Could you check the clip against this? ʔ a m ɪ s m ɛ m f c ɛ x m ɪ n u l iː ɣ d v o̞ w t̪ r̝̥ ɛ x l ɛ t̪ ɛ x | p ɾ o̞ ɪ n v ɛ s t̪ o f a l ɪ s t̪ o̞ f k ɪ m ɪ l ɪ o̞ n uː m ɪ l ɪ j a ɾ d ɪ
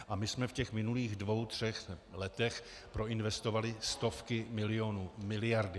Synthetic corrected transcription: ʔ a m ɪ s m ɛ f c ɛ x m ɪ n u l iː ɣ d v o̞ w t̪ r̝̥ ɛ x l ɛ t̪ ɛ x | p ɾ o̞ ɪ n v ɛ s t̪ o v a l ɪ s t̪ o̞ f k ɪ m ɪ l ɪ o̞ n uː m ɪ l ɪ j a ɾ d ɪ